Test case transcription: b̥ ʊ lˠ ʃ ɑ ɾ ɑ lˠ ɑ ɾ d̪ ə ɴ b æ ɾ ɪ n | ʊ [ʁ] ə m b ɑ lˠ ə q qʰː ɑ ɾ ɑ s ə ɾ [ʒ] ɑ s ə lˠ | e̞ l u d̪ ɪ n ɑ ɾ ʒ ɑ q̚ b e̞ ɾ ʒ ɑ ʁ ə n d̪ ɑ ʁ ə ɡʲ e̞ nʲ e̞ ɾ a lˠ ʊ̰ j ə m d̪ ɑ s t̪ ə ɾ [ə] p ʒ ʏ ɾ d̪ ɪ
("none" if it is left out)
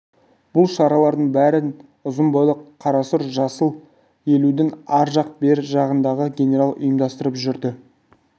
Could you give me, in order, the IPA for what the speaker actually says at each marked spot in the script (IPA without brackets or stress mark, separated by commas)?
z, ʒ, ə